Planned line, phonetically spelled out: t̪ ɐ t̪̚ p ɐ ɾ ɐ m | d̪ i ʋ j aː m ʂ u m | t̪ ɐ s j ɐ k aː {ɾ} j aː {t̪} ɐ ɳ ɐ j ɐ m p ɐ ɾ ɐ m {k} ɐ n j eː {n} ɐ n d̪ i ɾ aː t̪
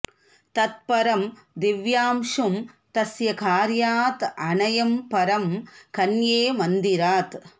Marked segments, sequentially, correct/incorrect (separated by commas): correct, correct, correct, incorrect